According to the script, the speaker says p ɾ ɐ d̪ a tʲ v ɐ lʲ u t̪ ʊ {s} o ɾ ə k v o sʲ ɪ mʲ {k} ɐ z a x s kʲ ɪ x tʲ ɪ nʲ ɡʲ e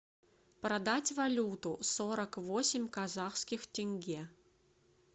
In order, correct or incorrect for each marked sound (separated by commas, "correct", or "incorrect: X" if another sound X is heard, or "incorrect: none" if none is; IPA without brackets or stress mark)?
correct, correct